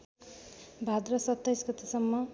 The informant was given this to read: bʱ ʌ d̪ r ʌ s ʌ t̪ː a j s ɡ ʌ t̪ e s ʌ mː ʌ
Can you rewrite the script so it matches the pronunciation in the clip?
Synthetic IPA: bʱ a d̪ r ʌ s ʌ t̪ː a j s ɡ ʌ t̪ e s ʌ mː ʌ